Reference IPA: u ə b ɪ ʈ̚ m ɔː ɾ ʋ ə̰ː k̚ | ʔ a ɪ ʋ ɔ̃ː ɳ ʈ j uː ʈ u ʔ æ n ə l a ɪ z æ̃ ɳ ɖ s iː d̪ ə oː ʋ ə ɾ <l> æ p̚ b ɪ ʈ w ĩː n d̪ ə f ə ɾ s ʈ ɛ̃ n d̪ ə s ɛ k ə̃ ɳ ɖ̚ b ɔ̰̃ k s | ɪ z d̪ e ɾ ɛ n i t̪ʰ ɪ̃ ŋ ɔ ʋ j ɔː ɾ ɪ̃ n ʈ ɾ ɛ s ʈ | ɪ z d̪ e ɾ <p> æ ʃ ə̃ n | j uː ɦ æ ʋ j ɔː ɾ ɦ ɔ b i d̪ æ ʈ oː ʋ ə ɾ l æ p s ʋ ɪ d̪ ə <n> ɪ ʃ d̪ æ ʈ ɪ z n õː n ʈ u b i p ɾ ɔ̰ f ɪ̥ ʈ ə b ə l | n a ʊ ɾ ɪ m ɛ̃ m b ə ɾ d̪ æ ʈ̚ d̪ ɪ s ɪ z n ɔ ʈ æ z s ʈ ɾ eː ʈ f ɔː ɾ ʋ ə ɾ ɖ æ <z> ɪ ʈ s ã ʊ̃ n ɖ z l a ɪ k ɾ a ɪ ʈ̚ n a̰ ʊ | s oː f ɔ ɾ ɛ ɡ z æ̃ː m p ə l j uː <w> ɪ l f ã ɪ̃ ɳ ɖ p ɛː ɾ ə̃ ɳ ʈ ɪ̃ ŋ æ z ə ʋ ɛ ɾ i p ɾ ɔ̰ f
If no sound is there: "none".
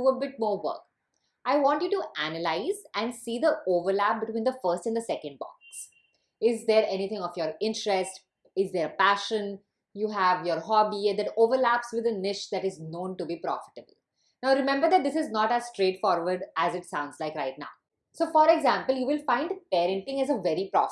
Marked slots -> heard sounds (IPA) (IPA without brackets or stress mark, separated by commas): l, p, n, z, ʋ